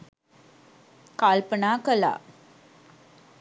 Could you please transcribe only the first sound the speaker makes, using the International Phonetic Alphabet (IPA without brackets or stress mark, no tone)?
k